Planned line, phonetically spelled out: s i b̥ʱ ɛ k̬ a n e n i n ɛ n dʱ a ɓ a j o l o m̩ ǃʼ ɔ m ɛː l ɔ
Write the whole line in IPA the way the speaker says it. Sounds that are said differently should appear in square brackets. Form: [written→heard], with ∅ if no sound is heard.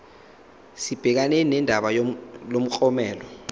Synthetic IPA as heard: s i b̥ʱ ɛ k̬ a n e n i n ɛ n dʱ a ɓ a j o l o m̩ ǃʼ ɔ m ɛː l ɔ